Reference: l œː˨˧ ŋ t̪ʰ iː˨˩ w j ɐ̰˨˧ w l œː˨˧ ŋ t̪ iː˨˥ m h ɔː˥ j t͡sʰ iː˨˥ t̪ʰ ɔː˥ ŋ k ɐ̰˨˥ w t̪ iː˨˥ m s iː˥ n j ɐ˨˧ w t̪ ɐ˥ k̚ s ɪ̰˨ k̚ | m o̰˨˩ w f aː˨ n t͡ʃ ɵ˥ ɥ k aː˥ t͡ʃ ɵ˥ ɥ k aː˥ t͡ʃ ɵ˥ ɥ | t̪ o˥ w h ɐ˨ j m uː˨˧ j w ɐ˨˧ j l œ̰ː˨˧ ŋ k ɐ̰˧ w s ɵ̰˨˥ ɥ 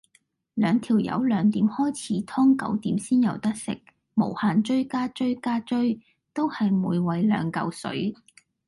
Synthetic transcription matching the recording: l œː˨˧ ŋ t̪ʰ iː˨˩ w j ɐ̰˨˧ w l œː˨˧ ŋ t̪ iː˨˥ m h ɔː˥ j t͡sʰ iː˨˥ t̪ʰ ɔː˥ ŋ k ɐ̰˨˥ w t̪ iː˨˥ m s iː˥ n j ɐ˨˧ w t̪ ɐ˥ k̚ s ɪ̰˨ k̚ | m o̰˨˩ w h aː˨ n t͡ʃ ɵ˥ ɥ k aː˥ t͡ʃ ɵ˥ ɥ k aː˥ t͡ʃ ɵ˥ ɥ | t̪ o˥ w h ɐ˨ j m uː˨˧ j w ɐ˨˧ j l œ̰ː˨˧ ŋ k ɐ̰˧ w s ɵ̰˨˥ ɥ